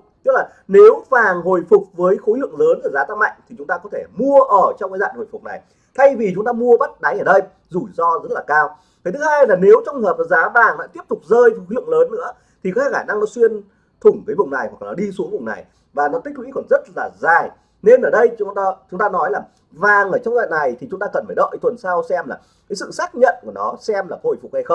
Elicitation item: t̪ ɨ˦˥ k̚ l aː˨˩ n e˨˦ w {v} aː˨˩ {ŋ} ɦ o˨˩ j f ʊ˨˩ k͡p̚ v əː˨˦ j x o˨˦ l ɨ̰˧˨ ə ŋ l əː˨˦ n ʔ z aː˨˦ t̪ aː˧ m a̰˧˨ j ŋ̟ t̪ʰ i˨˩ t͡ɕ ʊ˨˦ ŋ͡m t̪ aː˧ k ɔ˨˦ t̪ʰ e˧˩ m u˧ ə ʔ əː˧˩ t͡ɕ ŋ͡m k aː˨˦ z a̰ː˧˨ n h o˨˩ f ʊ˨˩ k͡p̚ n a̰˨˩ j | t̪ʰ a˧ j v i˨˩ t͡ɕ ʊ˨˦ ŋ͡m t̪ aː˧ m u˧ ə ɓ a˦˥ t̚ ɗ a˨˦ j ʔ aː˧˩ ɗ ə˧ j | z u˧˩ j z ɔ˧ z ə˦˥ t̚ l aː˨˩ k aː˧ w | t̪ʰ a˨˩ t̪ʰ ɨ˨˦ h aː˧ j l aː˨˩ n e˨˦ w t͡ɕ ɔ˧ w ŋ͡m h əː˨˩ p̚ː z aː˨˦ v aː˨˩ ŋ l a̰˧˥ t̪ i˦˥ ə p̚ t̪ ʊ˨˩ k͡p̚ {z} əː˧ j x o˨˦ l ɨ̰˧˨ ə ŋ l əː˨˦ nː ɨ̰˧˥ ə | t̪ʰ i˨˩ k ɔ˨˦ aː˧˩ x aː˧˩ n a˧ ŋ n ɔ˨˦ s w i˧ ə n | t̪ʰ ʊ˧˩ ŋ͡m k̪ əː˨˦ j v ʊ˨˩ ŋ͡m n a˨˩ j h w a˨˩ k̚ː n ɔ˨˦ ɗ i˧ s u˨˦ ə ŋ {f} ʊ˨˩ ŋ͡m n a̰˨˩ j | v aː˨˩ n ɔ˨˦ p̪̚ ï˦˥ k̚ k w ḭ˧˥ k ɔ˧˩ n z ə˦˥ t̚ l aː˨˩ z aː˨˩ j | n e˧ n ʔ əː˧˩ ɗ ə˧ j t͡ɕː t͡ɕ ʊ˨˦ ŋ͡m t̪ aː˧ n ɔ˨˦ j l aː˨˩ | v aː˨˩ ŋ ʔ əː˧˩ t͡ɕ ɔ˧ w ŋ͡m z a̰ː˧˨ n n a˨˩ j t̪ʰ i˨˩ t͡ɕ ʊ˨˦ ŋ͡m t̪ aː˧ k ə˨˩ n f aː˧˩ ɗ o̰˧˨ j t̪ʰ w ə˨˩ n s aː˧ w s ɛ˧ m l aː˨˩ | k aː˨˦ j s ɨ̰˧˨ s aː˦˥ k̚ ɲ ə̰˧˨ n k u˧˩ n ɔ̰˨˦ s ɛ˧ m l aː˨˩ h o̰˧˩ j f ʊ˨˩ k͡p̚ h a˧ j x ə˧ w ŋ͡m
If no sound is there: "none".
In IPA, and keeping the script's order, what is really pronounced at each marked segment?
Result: v, ŋ, z, v

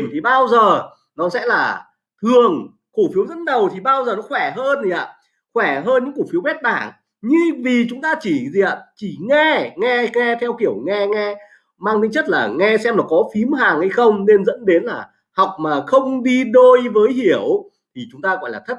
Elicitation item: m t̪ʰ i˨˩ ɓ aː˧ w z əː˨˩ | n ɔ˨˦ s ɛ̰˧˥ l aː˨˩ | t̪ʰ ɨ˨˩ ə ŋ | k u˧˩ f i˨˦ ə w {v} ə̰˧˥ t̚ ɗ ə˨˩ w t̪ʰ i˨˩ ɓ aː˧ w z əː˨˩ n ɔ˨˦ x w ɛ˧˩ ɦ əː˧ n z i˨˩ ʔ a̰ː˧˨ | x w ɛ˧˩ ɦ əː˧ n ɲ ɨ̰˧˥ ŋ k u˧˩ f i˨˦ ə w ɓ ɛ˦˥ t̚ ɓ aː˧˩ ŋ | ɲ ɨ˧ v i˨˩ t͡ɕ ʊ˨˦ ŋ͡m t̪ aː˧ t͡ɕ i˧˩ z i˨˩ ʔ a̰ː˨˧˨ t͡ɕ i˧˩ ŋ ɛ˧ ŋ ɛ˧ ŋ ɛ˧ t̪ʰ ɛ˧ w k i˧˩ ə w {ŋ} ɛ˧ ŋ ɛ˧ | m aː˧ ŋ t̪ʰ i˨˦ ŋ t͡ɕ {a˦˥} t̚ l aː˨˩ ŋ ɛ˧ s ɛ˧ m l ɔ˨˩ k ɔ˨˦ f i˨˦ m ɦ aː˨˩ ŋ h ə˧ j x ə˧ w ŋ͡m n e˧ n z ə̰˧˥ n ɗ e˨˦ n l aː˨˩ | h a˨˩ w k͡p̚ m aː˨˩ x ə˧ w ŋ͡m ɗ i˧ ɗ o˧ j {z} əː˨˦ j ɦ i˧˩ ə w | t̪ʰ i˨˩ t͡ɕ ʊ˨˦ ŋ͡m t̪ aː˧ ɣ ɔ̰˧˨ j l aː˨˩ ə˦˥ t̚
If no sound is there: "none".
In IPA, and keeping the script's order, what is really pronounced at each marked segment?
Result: z, ŋ, ə˦˥, v

